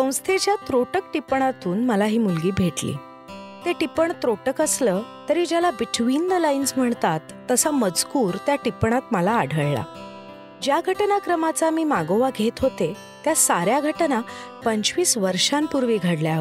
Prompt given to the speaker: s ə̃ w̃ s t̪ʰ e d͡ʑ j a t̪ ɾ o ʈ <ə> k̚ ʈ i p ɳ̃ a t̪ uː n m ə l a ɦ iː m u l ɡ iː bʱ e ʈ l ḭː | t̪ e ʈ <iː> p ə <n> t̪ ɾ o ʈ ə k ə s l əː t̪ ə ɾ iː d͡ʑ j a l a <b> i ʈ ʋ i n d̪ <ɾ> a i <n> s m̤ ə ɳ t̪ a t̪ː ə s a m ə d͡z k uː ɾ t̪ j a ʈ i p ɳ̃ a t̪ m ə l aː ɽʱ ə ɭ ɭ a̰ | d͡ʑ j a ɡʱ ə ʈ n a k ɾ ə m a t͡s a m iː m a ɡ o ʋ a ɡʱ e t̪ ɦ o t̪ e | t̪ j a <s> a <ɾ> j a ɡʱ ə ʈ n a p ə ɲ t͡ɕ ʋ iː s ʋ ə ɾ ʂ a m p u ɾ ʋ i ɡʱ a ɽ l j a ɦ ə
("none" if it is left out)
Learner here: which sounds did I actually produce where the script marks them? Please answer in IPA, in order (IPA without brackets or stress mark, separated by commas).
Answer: ə, i, ɳ, b, l, n, s, ɾ